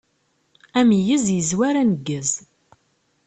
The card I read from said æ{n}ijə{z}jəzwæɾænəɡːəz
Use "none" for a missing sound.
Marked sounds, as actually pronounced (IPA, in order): m, z

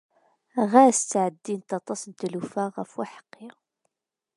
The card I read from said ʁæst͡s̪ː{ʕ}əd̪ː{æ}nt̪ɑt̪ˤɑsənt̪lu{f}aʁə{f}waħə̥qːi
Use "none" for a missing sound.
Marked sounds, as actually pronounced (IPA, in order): ʕ, i, f, f

